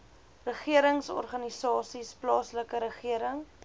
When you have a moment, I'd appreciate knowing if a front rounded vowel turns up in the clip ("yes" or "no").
no